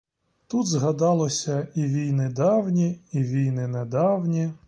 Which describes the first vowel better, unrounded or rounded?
rounded